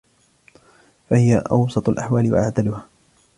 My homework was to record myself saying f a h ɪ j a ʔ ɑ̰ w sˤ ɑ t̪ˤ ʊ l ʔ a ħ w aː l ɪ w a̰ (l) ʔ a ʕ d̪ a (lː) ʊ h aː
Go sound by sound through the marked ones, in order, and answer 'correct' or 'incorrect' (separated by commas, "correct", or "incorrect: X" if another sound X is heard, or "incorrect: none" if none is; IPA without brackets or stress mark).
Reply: incorrect: none, incorrect: l